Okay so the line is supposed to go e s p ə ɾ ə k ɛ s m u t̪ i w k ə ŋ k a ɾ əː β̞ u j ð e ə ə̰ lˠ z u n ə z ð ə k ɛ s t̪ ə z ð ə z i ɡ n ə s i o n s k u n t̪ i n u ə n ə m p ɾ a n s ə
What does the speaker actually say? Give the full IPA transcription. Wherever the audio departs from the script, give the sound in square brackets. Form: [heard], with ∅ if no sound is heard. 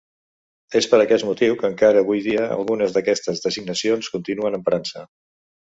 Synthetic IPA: e s p ə ɾ ə k ɛ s m u t̪ i w k ə ŋ k a ɾ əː β̞ u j ð [i] ə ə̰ lˠ [ɣ] u n ə z ð ə k ɛ s t̪ ə z ð ə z i ɡ n ə s i o n s k u n t̪ i n u ə n ə m p ɾ a n s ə